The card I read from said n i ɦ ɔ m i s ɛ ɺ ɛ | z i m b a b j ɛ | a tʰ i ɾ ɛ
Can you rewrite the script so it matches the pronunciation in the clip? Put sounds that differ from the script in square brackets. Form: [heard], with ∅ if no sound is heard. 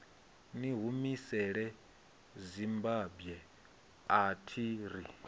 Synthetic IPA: n i ɦ [u] m i s ɛ ɺ ɛ | z i m b a b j ɛ | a tʰ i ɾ [i]